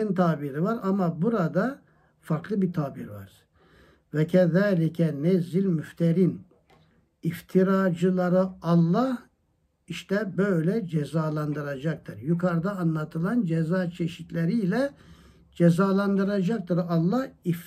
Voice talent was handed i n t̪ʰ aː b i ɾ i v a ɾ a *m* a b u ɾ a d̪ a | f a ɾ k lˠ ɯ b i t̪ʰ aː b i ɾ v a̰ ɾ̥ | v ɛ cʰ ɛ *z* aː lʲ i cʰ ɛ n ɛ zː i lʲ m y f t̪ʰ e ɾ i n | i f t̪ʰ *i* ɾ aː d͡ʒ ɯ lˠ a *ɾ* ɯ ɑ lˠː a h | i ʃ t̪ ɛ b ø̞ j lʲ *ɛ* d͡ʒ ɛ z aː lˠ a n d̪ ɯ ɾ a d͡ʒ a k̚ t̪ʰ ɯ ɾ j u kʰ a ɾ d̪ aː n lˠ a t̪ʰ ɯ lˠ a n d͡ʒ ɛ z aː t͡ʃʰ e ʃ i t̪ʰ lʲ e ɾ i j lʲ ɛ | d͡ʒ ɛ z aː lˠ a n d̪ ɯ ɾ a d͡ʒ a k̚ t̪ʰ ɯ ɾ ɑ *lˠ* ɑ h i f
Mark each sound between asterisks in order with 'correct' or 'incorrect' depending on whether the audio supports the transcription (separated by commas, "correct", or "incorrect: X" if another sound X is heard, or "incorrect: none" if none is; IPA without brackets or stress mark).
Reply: correct, incorrect: ð, correct, correct, correct, incorrect: lˠː